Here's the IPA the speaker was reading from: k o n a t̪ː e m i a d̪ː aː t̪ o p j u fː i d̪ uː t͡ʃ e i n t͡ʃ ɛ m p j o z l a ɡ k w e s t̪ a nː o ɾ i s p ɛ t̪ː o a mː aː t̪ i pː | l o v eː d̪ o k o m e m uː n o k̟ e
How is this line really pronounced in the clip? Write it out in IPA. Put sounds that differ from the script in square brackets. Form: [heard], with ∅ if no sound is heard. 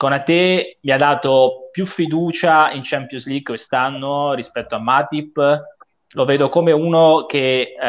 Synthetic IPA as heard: k o n a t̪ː e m i a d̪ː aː t̪ o p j u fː i d̪ uː t͡ʃ [a] i n t͡ʃ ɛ m p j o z l [i] ɡ k w e s t̪ a nː o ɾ i s p ɛ t̪ː o a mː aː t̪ i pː | l o v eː d̪ o k o m e [∅] uː n o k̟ e